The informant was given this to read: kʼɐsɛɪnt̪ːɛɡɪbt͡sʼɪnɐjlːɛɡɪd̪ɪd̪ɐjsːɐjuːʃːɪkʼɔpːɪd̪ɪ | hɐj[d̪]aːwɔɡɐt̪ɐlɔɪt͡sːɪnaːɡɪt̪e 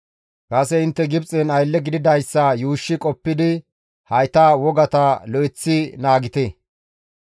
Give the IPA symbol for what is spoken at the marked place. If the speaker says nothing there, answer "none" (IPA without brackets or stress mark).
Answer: t̪